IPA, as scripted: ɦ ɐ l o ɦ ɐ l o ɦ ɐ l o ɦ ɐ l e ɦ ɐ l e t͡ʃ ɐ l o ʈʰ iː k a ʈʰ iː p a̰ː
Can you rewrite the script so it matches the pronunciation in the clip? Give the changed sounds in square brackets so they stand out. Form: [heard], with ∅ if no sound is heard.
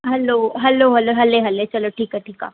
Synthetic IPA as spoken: ɦ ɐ l o ɦ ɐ l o ɦ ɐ l o ɦ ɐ l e ɦ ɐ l e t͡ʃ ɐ l o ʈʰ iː k a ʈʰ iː [k] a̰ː